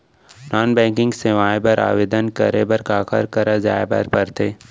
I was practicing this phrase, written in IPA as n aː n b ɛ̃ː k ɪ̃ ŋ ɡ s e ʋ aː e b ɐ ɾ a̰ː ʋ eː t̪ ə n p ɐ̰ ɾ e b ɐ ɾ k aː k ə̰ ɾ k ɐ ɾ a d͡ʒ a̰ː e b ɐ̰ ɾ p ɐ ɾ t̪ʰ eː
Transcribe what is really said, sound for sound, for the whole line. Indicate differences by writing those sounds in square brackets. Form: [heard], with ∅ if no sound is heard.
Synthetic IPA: n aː n b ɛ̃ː k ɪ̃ ŋ ɡ s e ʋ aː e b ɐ ɾ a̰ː ʋ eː [d̪] ə n [k] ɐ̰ ɾ e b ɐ ɾ k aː k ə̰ ɾ k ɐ ɾ a d͡ʒ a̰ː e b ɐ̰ ɾ p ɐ ɾ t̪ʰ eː